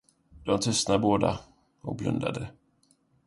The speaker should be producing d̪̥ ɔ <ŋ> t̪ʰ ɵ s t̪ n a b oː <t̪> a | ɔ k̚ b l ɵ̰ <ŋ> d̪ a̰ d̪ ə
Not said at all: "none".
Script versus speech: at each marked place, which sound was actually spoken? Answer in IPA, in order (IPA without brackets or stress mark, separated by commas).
m, d̪, n